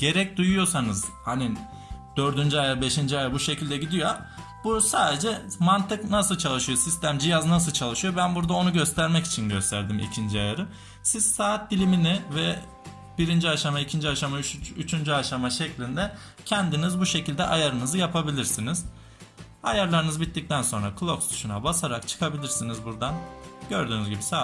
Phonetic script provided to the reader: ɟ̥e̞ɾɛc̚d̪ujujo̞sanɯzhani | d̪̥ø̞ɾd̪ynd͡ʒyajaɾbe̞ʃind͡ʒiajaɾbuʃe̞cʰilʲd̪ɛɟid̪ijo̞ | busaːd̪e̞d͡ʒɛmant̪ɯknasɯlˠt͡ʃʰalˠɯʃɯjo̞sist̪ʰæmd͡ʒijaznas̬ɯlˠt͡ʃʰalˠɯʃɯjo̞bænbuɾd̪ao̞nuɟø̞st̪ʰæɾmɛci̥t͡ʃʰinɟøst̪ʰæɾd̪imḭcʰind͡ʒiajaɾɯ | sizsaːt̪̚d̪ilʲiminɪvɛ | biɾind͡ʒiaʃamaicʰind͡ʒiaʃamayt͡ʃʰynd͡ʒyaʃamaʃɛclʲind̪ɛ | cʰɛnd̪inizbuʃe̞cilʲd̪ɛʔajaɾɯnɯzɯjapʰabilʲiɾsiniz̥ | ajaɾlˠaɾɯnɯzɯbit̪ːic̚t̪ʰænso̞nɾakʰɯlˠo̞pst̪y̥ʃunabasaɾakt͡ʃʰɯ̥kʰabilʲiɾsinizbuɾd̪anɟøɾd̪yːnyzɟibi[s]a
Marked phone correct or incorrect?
correct